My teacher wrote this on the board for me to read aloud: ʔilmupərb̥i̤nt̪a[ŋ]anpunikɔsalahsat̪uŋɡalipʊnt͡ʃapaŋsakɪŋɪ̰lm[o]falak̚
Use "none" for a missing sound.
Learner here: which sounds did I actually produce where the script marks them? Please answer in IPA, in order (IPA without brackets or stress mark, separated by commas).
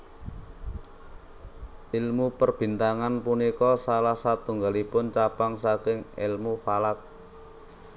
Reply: ŋ, u